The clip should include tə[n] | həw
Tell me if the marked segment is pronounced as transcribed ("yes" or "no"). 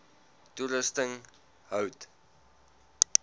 no